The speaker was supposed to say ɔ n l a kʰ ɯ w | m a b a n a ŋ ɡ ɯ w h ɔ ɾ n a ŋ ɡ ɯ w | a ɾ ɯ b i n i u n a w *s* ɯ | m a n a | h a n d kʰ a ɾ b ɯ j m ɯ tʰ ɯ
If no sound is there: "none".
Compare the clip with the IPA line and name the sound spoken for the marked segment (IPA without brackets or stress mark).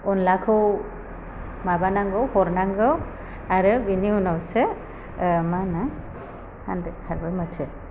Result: s